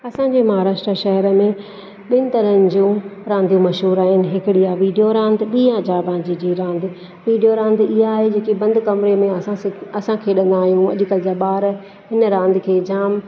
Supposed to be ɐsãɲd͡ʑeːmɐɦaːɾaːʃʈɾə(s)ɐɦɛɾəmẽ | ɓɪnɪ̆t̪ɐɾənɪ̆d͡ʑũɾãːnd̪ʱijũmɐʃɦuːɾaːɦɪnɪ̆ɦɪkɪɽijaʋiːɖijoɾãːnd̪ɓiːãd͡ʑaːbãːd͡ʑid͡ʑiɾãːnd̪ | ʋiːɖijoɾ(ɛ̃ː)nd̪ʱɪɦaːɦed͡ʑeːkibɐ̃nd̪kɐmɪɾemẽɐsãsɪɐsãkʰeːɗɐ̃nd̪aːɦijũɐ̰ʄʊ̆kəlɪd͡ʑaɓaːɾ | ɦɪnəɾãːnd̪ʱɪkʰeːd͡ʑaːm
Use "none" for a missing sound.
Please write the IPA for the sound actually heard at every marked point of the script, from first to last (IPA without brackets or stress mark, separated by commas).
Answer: ʃ, ãː